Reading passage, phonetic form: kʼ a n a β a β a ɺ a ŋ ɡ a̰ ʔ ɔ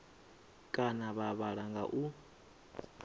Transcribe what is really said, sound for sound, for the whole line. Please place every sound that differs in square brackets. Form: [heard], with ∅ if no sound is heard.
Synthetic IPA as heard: kʼ a n a β a β a ɺ a ŋ ɡ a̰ ʔ [u]